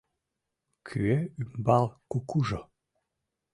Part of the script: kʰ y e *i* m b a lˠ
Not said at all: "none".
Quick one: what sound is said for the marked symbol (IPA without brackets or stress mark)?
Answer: y